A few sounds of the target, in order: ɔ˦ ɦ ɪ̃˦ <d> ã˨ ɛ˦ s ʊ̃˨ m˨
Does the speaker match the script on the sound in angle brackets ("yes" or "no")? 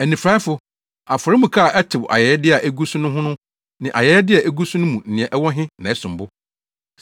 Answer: no